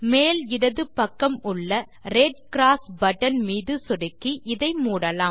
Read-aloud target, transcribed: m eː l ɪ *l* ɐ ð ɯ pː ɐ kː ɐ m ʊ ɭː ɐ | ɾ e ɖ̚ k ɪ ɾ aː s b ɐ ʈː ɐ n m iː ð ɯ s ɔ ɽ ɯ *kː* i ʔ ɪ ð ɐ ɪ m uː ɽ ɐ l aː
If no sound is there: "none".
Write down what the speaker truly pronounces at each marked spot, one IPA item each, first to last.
ɽ, kː

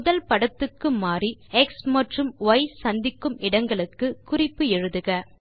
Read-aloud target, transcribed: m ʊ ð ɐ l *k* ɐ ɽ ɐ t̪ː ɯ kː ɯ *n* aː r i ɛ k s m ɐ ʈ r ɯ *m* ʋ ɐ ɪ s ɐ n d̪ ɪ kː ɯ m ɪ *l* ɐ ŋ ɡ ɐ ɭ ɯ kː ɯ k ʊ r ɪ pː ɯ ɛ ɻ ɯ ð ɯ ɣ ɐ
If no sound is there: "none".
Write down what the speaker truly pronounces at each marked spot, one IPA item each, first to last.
p, m, m, ɽ

